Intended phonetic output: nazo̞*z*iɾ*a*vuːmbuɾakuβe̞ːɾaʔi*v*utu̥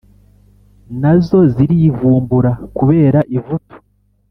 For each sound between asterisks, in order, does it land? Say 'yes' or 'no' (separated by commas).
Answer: yes, no, yes